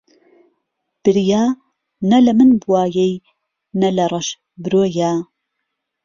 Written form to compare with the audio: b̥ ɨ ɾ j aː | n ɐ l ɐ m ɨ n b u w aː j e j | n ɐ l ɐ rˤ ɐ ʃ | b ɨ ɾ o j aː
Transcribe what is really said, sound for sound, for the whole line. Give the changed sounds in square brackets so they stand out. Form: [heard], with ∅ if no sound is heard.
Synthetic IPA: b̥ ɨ ɾ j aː | n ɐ l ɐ m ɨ n b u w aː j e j | n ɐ l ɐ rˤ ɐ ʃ | b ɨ ɾ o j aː